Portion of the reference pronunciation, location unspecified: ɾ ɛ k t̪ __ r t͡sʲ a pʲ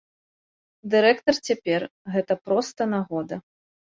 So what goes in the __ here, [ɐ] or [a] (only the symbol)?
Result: ɐ